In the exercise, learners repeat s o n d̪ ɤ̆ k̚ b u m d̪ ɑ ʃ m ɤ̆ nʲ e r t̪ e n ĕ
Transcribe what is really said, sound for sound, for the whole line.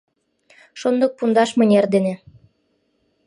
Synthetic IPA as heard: ʃ o n d̪ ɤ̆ k̚ p u n d̪ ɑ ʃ m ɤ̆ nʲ e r d̪ e n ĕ